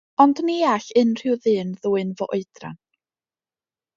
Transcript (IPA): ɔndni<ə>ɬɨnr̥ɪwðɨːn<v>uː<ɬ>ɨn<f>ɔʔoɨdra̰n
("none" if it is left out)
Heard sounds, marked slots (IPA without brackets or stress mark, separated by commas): a, ð, none, v